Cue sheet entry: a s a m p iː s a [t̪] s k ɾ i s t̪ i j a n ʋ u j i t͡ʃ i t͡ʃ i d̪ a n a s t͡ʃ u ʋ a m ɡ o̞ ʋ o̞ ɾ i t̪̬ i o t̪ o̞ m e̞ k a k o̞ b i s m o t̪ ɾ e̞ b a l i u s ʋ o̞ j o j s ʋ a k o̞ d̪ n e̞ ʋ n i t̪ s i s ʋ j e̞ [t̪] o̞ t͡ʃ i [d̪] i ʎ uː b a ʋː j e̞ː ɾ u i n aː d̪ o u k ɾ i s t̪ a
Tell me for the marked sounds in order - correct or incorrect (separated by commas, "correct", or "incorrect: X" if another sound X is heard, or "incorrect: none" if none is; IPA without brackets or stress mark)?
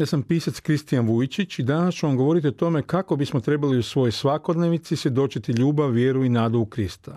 correct, incorrect: d̪, incorrect: t̪